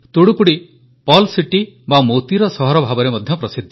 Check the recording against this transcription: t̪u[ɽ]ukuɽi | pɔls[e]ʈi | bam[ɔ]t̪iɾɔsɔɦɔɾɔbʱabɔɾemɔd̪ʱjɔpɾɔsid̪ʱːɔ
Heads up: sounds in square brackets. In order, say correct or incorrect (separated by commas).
correct, incorrect, incorrect